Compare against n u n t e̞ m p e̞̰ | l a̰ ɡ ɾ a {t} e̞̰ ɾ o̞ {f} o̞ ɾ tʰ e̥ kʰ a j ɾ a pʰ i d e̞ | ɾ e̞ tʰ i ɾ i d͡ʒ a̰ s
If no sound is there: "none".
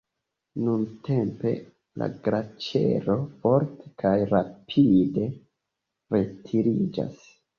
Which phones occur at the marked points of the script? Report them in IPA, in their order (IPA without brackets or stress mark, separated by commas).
t͡ʃ, f